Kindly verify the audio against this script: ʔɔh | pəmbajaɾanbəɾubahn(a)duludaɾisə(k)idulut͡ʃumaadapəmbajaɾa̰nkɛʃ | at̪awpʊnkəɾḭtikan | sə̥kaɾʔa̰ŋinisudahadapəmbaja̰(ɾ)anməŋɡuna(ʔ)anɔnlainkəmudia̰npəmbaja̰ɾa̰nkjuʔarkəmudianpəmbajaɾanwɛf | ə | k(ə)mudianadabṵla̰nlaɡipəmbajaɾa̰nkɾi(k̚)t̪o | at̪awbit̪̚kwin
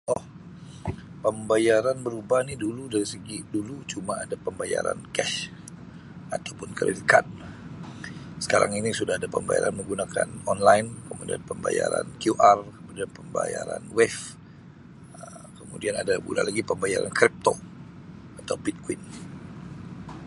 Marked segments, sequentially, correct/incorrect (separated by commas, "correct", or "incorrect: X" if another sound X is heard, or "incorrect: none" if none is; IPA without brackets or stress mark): incorrect: i, incorrect: ɡ, correct, incorrect: k, correct, incorrect: p̚